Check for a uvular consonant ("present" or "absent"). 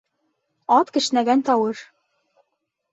absent